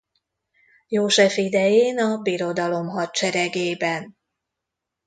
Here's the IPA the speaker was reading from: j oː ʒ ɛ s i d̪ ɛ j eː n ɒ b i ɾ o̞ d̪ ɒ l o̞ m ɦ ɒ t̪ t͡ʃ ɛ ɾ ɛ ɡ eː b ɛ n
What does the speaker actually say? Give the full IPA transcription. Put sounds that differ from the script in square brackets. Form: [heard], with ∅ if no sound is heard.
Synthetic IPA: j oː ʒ ɛ [f] i d̪ ɛ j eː n ɒ b i ɾ o̞ d̪ ɒ l o̞ m ɦ ɒ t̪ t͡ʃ ɛ ɾ ɛ ɡ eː b ɛ n